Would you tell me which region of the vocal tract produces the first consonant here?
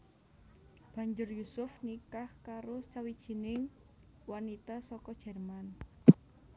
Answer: lips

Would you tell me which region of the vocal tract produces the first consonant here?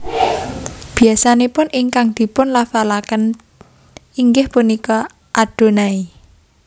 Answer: lips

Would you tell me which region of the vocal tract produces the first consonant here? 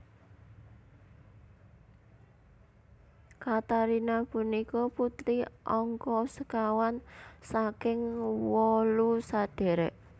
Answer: velum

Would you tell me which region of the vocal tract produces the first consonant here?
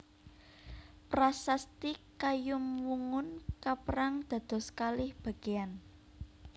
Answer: lips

